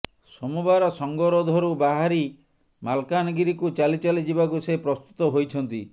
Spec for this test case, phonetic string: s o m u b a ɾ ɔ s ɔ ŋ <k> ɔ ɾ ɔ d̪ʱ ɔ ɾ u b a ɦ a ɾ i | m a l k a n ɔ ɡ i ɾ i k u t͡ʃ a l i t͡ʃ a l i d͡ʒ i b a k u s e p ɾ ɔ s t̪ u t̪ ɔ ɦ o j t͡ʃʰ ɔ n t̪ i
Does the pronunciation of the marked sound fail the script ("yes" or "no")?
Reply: yes